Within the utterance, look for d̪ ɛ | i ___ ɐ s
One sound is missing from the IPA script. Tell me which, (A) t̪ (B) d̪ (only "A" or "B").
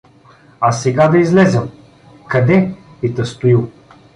A